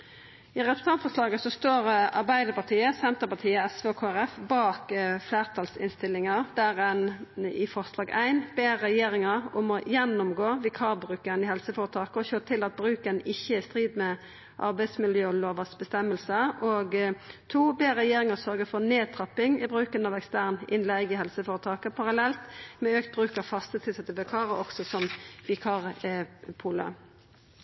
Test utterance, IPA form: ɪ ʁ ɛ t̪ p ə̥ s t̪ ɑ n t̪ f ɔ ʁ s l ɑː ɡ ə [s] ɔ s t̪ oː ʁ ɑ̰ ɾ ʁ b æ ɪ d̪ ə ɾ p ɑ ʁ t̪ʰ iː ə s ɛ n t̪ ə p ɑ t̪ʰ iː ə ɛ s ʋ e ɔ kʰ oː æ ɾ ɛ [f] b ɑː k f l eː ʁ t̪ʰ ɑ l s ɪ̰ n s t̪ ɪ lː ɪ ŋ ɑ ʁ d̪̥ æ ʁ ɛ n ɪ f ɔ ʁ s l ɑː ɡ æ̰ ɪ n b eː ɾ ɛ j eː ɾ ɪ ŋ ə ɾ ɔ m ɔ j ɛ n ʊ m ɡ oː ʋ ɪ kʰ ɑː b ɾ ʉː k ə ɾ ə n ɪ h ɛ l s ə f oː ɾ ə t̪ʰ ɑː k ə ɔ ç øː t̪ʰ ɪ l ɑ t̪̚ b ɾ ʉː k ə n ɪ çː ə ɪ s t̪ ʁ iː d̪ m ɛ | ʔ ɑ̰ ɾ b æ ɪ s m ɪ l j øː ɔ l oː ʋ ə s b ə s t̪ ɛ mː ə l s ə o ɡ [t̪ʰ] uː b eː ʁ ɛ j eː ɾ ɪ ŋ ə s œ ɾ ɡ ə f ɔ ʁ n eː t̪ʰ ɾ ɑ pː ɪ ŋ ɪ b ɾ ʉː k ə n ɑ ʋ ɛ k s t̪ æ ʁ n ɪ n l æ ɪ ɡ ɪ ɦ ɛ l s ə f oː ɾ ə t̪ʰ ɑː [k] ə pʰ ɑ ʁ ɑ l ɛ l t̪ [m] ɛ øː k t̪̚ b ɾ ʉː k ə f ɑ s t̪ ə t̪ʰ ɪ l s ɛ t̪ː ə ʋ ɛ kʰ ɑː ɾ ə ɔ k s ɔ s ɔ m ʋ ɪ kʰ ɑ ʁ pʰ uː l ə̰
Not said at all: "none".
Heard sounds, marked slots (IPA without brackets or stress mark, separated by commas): s, f, t̪ʰ, k, m